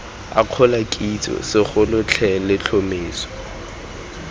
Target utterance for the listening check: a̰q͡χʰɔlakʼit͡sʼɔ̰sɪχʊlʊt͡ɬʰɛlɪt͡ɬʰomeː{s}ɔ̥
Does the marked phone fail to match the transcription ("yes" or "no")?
no